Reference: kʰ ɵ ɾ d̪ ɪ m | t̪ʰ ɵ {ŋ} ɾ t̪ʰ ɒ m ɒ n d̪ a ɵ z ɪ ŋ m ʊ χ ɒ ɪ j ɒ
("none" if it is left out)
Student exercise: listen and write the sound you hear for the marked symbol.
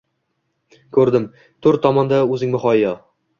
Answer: none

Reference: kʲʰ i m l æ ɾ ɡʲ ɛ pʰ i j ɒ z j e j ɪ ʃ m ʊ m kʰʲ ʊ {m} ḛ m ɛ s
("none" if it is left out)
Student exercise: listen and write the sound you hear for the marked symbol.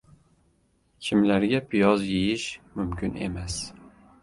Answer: n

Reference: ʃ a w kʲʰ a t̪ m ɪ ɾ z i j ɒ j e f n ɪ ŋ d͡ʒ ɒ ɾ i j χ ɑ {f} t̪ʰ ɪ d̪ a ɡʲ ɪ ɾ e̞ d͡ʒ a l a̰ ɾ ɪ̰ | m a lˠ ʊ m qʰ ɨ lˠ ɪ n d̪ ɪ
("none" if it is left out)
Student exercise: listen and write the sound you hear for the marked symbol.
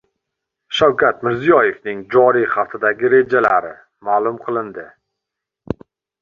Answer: f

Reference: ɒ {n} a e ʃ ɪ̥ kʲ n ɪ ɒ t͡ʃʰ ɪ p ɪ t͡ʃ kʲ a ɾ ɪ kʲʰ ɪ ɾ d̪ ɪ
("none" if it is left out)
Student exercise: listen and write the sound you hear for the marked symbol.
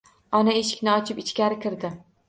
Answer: n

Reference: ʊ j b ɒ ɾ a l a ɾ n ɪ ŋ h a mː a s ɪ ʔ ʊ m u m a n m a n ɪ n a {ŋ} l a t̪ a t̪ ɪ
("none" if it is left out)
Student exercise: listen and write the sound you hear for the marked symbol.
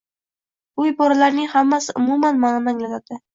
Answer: ŋ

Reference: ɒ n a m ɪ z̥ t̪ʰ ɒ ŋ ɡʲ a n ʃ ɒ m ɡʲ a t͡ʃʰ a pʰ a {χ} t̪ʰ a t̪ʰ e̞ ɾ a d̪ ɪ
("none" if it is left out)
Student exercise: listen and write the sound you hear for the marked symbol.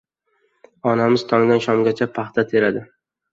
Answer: χ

